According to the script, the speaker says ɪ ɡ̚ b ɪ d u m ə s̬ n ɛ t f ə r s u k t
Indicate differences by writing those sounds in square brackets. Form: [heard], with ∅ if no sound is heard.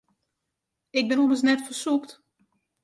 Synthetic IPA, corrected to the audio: ɪ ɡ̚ b ɪ [n] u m ə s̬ n ɛ t f ə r s u k t